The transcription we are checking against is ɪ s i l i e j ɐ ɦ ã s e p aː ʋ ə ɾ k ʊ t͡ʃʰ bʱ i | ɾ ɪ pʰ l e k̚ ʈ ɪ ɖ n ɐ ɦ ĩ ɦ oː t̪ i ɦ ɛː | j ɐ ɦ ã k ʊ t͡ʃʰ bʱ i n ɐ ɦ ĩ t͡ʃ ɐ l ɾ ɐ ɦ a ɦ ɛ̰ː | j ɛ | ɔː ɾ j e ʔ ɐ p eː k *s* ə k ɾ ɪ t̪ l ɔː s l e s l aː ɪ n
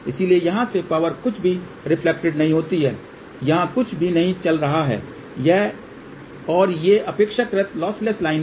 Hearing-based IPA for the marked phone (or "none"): ʃ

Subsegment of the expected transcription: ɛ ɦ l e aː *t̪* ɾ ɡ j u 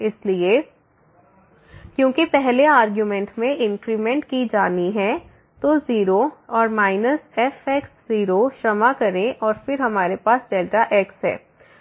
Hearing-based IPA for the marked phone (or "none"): none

